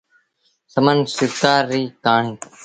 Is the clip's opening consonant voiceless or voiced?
voiceless